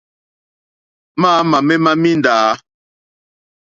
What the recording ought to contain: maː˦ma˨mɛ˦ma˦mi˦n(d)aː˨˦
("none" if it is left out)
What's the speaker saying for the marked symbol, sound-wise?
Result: d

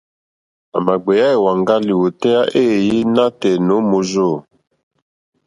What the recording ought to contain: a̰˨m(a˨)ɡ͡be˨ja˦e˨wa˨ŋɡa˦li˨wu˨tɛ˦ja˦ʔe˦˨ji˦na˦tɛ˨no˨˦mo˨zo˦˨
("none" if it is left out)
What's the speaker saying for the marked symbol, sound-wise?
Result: a˨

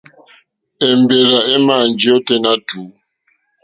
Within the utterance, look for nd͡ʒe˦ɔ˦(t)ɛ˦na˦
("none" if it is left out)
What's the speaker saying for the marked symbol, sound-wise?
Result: t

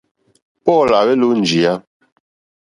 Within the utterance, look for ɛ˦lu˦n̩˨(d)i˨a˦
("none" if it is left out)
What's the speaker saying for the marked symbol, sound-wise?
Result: d͡ʒ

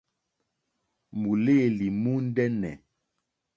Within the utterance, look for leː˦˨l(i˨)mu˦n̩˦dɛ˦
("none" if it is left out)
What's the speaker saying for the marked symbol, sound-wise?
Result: i˨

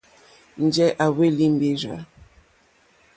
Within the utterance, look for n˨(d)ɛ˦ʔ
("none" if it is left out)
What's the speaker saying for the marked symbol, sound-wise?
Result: d͡ʒ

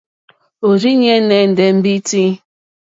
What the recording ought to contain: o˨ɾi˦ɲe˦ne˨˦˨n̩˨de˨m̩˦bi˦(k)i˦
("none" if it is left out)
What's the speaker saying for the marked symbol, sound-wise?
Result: t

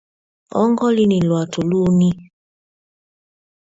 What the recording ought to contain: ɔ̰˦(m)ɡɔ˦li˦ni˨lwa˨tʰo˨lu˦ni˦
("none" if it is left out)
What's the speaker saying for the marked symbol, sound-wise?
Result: ŋ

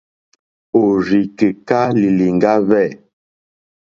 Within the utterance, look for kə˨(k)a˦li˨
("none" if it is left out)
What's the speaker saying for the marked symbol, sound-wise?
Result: k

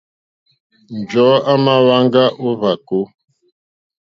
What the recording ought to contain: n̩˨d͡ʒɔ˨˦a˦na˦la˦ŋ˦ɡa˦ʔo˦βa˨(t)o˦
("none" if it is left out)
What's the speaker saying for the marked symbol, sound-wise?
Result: k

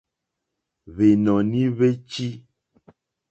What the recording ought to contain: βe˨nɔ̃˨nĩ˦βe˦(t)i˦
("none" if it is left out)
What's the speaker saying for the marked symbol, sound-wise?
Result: t͡ʃ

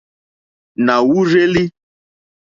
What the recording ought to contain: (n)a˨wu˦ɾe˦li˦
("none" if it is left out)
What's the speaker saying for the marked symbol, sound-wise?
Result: n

